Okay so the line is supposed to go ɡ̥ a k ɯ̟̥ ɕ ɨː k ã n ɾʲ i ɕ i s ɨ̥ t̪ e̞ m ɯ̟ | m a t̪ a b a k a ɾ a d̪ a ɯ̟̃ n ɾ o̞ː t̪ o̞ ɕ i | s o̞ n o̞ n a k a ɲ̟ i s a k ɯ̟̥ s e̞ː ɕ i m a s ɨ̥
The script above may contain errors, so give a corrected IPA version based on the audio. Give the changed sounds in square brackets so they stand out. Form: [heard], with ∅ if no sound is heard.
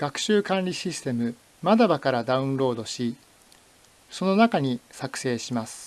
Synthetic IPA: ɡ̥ a k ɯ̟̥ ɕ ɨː k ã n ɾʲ i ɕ i s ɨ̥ t̪ e̞ m ɯ̟ | m a [d̪] a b a k a ɾ a d̪ a ɯ̟̃ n ɾ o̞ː [d̪] o̞ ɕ i | s o̞ n o̞ n a k a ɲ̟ i s a k ɯ̟̥ s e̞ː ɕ i m a s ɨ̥